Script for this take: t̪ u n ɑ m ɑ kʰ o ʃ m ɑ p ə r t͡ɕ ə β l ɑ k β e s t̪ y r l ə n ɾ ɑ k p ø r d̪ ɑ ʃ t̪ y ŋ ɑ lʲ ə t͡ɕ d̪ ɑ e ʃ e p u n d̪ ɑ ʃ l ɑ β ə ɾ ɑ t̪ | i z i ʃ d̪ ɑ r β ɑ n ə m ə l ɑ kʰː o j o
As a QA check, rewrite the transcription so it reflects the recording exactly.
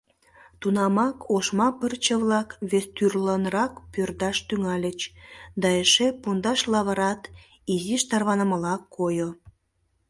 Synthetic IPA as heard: t̪ u n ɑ m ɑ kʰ o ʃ m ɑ p ə r t͡ɕ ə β l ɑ k β e s t̪ y r l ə n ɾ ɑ k p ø r d̪ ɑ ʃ t̪ y ŋ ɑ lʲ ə t͡ɕ d̪ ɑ e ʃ e p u n d̪ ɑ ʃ l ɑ β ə ɾ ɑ t̪ | i z i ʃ t̪ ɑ r β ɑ n ə m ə l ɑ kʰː o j o